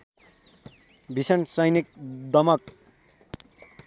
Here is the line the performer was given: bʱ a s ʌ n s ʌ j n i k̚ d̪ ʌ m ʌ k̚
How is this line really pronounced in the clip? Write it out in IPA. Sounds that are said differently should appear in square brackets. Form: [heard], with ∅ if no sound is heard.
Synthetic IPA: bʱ [i] s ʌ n s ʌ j n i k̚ d̪ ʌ m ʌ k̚